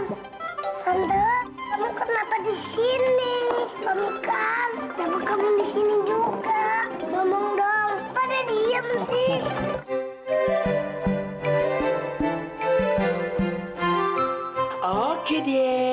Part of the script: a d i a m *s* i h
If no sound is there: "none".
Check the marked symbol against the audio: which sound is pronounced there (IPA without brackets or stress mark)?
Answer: s